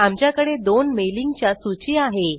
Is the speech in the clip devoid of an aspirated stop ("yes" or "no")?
yes